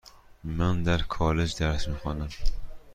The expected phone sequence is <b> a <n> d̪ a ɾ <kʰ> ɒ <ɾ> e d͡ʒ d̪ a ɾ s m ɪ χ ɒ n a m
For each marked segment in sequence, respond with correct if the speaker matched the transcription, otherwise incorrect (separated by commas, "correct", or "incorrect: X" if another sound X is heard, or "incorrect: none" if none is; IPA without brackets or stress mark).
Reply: incorrect: m, correct, correct, incorrect: l